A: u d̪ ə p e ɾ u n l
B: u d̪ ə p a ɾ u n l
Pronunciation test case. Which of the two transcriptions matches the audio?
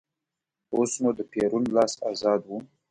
A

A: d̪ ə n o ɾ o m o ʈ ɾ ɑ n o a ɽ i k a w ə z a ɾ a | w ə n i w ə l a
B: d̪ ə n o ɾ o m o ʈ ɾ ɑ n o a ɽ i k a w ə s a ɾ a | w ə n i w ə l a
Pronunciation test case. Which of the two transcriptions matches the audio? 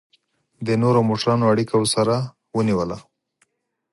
B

